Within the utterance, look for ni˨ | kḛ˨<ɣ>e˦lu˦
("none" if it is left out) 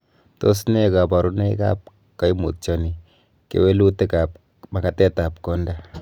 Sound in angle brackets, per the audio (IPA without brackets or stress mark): w